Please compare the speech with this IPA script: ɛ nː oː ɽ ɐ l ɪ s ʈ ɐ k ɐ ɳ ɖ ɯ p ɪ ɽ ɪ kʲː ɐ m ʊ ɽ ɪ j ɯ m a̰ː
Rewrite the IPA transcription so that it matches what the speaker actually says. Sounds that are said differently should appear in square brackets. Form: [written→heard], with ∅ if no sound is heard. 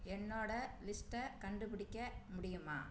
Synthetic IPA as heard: ɛ nː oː ɽ ɐ l ɪ s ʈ ɐ k ɐ ɳ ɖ ɯ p ɪ ɽ ɪ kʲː ɐ m ʊ ɽ ɪ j ɯ m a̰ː